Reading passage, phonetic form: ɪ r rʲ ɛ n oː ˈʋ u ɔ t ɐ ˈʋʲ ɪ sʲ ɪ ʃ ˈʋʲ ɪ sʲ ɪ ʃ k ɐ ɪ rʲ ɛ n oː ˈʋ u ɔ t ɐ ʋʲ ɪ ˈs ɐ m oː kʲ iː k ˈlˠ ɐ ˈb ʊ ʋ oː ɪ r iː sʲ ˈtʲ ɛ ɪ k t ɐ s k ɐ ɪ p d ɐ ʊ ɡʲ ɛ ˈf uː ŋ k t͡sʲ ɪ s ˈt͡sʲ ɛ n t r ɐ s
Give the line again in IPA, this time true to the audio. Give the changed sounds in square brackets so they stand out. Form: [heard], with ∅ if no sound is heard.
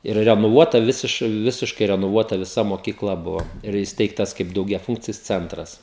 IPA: ɪ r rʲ ɛ n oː ˈʋ u ɔ t ɐ ˈʋʲ ɪ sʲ ɪ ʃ ˈʋʲ ɪ sʲ ɪ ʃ k ɐ ɪ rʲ ɛ n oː ˈʋ u ɔ t ɐ ʋʲ ɪ ˈs ɐ m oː kʲ iː k ˈlˠ ɐ ˈb ʊ ʋ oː ɪ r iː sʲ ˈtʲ ɛ ɪ k t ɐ s k ɐ ɪ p d ɐ ʊ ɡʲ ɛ ˈf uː ŋ k t͡sʲ ɪ s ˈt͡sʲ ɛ n t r ɐ s